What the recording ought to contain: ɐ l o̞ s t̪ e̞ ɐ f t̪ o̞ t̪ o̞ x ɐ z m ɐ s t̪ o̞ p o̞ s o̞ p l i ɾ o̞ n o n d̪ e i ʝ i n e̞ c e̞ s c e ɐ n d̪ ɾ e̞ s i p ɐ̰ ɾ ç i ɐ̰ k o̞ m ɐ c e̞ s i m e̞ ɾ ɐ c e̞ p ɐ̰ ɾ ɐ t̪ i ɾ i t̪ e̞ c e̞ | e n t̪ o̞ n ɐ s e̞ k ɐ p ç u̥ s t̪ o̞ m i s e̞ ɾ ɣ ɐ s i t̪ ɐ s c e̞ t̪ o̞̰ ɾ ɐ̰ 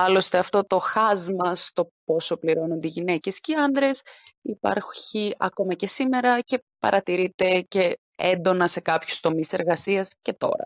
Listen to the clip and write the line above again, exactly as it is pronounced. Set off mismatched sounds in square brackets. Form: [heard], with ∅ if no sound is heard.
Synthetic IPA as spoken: ɐ l o̞ s t̪ e̞ ɐ f t̪ o̞ t̪ o̞ x ɐ z m ɐ s t̪ o̞ p o̞ s o̞ p l i ɾ o̞ n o n d̪ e i ʝ i n e̞ c e̞ s c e ɐ n d̪ ɾ e̞ s i p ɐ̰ ɾ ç i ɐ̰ k o̞ m ɐ c e̞ s i m e̞ ɾ ɐ c e̞ p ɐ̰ ɾ ɐ t̪ i ɾ i t̪ e̞ c e̞ | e n [d̪] o̞ n ɐ s e̞ k ɐ p ç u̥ s t̪ o̞ m i s e̞ ɾ ɣ ɐ s i [∅] ɐ s c e̞ t̪ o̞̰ ɾ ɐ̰